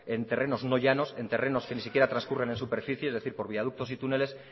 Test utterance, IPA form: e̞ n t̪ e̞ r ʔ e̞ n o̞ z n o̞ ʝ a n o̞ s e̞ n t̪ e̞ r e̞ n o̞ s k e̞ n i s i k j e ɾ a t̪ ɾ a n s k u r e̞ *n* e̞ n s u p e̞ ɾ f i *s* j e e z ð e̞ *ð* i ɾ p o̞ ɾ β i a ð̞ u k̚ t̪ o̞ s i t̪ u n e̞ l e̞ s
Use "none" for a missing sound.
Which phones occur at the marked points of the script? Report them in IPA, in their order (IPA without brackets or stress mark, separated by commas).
n, θ, θ